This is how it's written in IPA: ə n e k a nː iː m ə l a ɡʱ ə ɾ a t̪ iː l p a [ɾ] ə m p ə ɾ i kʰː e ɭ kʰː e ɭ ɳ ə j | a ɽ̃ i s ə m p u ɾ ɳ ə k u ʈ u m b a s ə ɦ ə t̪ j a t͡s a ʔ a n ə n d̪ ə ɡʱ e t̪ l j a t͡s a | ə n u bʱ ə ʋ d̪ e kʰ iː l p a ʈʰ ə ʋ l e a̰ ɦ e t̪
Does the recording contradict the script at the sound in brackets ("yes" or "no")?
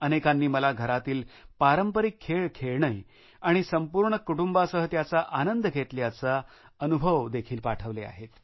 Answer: no